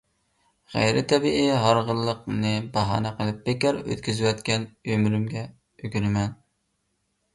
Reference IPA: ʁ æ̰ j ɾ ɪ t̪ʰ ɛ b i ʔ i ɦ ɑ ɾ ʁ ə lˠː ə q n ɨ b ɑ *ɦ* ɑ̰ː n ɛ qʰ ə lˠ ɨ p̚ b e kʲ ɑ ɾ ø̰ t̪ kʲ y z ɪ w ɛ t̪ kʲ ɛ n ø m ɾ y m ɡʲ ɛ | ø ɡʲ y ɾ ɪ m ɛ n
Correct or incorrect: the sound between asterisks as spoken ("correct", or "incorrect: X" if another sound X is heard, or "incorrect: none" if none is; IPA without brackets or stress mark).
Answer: correct